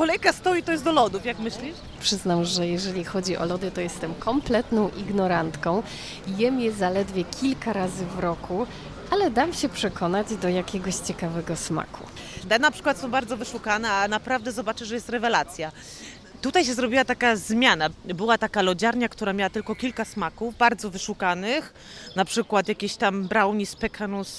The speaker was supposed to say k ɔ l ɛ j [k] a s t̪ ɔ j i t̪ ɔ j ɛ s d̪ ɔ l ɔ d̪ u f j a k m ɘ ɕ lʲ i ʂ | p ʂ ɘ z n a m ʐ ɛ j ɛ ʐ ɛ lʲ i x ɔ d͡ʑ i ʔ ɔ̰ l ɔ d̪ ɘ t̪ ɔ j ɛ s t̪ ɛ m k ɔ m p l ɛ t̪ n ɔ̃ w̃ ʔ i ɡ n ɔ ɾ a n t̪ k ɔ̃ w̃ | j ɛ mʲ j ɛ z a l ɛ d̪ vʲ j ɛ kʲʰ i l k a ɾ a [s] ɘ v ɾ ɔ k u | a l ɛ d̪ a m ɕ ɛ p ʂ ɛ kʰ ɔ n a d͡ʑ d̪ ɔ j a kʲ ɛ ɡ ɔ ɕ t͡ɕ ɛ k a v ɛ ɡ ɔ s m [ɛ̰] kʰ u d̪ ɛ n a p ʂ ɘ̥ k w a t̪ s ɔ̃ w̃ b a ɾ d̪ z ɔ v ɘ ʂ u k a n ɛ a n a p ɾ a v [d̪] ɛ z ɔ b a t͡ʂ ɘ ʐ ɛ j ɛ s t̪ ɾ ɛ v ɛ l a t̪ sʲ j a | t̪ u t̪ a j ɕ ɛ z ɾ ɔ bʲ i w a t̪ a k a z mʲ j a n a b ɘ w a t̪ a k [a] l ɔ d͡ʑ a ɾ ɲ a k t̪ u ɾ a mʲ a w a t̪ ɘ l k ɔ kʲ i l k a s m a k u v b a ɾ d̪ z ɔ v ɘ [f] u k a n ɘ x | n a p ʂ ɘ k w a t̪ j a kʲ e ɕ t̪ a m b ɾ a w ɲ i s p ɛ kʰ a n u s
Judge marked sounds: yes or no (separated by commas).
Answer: yes, no, no, yes, yes, no